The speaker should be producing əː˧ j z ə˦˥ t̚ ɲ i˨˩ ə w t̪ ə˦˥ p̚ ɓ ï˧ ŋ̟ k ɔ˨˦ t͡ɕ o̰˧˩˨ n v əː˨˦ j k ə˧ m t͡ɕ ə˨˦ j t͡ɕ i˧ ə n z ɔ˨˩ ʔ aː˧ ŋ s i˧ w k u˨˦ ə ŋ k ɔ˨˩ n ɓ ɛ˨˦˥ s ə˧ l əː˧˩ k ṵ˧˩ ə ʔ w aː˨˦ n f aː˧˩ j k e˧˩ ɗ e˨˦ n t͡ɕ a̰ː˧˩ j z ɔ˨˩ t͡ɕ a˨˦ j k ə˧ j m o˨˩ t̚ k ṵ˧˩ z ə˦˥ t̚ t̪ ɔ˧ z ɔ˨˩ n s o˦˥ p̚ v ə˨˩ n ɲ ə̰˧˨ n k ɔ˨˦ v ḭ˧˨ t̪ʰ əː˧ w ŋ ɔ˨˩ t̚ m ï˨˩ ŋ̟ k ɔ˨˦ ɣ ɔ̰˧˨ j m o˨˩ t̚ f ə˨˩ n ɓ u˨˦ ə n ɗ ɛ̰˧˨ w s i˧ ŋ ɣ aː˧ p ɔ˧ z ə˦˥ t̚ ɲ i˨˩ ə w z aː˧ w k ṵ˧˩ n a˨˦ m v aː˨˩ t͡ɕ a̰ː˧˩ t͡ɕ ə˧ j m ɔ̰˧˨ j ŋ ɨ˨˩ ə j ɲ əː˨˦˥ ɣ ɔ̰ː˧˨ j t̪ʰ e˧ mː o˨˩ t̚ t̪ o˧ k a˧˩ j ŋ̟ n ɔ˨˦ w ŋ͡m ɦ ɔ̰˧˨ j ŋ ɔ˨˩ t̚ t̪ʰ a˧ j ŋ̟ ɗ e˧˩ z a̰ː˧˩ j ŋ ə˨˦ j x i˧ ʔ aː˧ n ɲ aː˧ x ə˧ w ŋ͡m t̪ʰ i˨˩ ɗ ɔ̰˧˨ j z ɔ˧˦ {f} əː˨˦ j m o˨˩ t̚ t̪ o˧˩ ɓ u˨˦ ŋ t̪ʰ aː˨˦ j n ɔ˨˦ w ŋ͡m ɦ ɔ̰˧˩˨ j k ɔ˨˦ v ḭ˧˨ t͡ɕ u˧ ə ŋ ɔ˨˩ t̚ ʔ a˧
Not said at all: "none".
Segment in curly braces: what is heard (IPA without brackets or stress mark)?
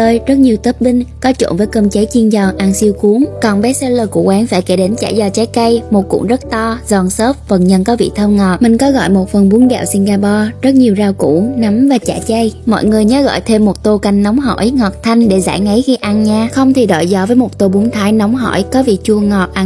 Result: v